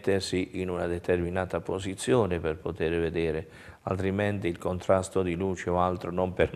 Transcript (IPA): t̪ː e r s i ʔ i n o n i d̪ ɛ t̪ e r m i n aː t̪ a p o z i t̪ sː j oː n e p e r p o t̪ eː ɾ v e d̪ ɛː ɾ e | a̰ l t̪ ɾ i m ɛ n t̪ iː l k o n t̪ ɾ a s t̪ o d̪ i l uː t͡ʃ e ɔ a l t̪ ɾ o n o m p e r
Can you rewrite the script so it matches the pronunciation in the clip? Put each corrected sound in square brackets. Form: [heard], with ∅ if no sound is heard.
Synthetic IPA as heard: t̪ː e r s i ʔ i n [u] n [a] d̪ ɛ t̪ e r m i n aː t̪ a p o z i t̪ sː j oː n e p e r p o t̪ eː ɾ v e d̪ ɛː ɾ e | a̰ l t̪ ɾ i m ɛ n t̪ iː l k o n t̪ ɾ a s t̪ o d̪ i l uː t͡ʃ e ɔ a l t̪ ɾ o n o m p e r